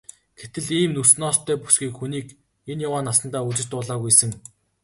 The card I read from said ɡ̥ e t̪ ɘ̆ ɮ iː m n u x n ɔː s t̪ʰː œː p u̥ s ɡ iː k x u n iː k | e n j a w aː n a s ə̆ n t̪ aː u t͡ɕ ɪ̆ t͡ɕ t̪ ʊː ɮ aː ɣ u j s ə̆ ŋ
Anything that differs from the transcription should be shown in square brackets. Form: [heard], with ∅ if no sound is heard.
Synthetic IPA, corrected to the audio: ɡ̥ e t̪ ɘ̆ ɮ iː m n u [s] n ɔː s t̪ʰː œː p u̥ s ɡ iː k x u n iː k | e n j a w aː n a s ə̆ n t̪ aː u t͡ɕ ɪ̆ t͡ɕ t̪ ʊː ɮ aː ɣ u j s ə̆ ŋ